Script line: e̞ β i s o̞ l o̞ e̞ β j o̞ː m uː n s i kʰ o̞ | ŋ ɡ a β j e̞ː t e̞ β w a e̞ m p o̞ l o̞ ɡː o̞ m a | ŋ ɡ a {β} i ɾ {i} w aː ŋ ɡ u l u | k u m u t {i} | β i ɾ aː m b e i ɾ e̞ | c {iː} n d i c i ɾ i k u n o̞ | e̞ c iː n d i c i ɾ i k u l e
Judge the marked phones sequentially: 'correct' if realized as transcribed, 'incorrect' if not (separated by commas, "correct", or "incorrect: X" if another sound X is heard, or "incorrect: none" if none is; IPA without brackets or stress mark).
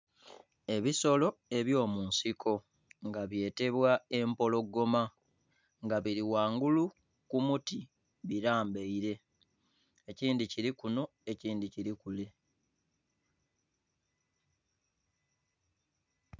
correct, correct, correct, correct